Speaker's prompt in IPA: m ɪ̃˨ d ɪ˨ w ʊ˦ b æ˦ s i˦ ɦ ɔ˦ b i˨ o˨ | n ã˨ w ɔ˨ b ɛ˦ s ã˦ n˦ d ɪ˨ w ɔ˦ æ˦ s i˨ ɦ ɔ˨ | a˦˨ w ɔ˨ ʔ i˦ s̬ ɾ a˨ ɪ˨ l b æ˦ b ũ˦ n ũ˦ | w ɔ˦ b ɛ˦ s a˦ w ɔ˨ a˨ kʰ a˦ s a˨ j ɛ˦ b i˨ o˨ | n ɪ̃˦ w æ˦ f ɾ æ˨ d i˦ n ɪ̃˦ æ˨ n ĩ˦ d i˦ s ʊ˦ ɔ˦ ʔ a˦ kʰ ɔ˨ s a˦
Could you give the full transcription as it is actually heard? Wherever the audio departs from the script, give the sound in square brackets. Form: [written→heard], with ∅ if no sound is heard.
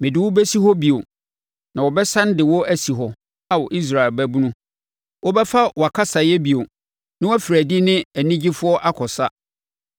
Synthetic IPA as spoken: m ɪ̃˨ d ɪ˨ w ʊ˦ b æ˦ s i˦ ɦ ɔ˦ b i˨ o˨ | n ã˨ w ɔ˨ b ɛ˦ s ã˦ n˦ d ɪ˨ w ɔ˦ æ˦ s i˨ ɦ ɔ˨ | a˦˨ w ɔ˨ ʔ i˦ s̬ ɾ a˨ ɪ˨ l b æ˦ b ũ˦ n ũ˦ | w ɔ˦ b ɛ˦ [s→f] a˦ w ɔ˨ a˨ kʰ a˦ s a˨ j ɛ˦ b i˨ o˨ | n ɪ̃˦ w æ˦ f ɾ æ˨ d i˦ n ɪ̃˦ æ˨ n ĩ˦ [d→d͡ʑ] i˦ [s→f] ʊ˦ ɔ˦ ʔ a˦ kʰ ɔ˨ s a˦